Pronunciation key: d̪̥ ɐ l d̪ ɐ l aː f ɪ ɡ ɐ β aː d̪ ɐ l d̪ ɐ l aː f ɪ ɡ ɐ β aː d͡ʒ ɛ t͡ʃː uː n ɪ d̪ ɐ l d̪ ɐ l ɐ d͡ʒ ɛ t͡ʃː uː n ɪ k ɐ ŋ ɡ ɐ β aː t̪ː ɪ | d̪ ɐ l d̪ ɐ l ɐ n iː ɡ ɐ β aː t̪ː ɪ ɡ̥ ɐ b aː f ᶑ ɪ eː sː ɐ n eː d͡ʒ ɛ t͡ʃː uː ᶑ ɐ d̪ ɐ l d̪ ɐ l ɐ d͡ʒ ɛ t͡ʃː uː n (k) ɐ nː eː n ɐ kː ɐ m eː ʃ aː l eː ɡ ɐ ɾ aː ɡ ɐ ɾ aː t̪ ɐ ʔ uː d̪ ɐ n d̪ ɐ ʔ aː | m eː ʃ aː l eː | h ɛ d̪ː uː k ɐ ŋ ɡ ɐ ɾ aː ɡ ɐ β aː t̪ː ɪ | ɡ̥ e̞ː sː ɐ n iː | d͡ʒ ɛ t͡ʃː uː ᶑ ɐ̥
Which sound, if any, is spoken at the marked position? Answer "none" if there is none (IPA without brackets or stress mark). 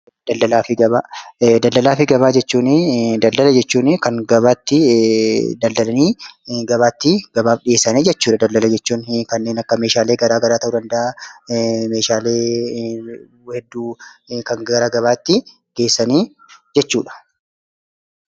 k